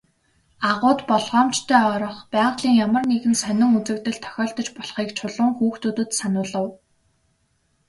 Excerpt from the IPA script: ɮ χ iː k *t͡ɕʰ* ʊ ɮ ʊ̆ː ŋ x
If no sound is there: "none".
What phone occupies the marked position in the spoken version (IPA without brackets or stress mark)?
t͡ɕʰ